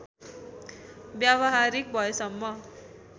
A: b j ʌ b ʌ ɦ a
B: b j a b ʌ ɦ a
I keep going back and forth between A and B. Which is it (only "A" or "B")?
B